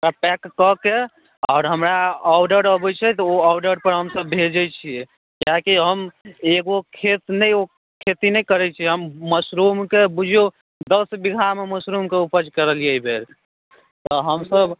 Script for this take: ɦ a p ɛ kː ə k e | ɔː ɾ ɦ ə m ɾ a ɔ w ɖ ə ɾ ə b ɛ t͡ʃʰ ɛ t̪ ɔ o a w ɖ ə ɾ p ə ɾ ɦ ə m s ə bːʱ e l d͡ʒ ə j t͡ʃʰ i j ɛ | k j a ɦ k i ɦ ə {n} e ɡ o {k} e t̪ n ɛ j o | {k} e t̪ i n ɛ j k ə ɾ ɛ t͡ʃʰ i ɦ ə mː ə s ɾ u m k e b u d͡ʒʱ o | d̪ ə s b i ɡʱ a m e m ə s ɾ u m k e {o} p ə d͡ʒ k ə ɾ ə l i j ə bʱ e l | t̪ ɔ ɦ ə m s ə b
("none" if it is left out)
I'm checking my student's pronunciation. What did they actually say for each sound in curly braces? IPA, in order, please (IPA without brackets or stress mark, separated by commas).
m, kʰ, kʰ, u